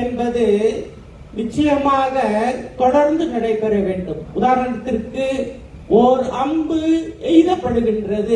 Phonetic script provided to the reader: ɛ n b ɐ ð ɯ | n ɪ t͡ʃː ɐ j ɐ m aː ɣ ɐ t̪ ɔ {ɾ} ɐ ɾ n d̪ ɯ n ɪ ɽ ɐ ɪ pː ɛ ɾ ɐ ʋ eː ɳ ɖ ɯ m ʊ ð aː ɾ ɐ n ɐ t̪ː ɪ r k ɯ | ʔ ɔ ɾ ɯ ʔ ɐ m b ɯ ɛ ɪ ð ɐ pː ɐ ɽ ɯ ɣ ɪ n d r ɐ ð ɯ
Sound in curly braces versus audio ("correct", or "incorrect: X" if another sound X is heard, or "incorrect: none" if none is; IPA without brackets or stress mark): incorrect: ɽ